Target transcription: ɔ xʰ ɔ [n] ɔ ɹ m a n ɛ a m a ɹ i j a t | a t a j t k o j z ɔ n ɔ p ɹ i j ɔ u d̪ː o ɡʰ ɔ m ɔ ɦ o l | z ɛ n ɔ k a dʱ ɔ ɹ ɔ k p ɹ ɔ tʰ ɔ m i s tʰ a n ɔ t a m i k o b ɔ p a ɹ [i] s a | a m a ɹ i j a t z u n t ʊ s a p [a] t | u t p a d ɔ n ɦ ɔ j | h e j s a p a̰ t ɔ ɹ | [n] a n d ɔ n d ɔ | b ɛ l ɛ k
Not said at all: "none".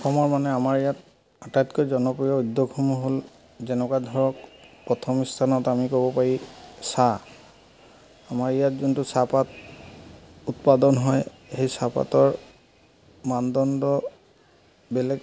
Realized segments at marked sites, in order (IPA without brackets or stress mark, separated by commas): m, i, a, m